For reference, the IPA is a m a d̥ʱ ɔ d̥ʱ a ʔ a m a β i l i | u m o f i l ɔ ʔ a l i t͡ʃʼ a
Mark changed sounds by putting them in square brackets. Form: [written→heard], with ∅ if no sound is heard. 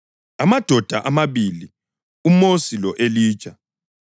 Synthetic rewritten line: a m a d̥ʱ ɔ d̥ʱ a ʔ a m a β i l i | u m o [f→s] i l ɔ ʔ [a→e] l [i→iː] t͡ʃʼ a

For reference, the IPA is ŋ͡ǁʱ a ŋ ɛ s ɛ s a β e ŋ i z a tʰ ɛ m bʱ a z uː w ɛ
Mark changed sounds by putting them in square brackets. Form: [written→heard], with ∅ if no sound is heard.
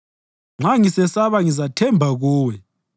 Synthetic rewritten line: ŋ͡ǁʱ a ŋ [ɛ→i] s ɛ s a β [e→a] ŋ i z a tʰ ɛ m bʱ a [z→ɣ] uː w ɛ

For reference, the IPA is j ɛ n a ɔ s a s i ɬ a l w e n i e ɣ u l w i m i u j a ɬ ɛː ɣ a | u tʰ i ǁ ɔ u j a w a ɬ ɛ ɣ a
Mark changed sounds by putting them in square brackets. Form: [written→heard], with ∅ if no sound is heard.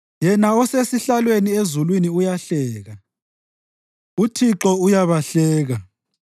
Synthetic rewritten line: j ɛ n a ɔ s [a→e] s i ɬ a l w e n i e [ɣ→z] u l w i [m→n] i u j a ɬ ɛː ɣ a | u tʰ i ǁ ɔ u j a [w→β] a ɬ [ɛ→ɛː] ɣ a

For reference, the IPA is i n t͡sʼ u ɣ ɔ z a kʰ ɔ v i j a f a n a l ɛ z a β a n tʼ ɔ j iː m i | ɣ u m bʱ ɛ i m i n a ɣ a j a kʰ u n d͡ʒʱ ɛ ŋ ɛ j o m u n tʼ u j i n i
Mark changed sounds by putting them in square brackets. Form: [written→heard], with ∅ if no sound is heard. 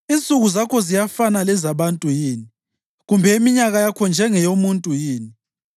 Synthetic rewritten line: i n t͡sʼ u ɣ [ɔ→u] z a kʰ ɔ [v→z] i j a f a n a l ɛ z a β a n tʼ [ɔ→u] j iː [m→n] i | ɣ u m bʱ ɛ i m i [n→ɲ] a ɣ a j a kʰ [u→ɔ] n d͡ʒʱ ɛ ŋ ɛ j o m u n tʼ u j [i→iː] n i

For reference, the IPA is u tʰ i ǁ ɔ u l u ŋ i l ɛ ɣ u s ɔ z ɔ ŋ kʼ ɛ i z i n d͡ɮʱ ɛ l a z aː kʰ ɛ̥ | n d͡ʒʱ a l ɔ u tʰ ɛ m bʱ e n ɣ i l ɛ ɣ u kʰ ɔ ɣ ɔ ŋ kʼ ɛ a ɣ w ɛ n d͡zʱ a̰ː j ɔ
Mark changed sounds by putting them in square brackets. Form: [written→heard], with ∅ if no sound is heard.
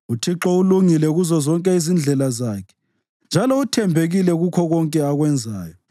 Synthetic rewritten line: u tʰ i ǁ ɔ u l u ŋ i l ɛ ɣ u [s→z] ɔ z ɔ ŋ kʼ ɛ i z i n d͡ɮʱ ɛ l a z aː kʰ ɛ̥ | n d͡ʒʱ a l ɔ u tʰ ɛ m bʱ e [n→∅] ɣ i l ɛ ɣ u kʰ ɔ ɣ ɔ ŋ kʼ ɛ a ɣ w ɛ n d͡zʱ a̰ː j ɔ

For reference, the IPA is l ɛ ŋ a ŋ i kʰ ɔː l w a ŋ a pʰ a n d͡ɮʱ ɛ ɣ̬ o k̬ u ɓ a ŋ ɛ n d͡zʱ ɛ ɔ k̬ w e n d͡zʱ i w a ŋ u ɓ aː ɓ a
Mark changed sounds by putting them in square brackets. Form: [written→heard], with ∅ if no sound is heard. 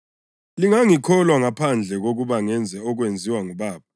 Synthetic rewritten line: l [ɛ→i] ŋ a ŋ i kʰ [ɔː→ɔ] l w a ŋ a pʰ a n d͡ɮʱ ɛ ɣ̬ o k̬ u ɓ a ŋ ɛ n d͡zʱ ɛ ɔ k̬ w e n d͡zʱ i w a ŋ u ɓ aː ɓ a

